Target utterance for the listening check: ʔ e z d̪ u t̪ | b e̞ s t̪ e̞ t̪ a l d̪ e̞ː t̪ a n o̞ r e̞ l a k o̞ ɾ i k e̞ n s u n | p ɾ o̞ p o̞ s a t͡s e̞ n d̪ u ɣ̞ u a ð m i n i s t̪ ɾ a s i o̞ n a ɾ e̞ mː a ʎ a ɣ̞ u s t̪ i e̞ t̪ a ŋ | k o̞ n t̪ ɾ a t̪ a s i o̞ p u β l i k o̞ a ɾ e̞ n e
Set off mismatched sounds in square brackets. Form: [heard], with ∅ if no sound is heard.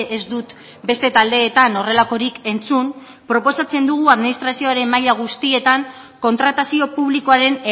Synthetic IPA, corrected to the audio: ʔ e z d̪ u t̪ | b e̞ s t̪ e̞ t̪ a l d̪ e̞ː t̪ a n o̞ r e̞ l a k o̞ ɾ i k e̞ n [t͡s] u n | p ɾ o̞ p o̞ s a t͡s e̞ n d̪ u ɣ̞ u a ð m i n i s t̪ ɾ a s i o̞ [∅] a ɾ e̞ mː a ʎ a ɣ̞ u s t̪ i e̞ t̪ a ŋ | k o̞ n t̪ ɾ a t̪ a s i o̞ p u β l i k o̞ a ɾ e̞ n e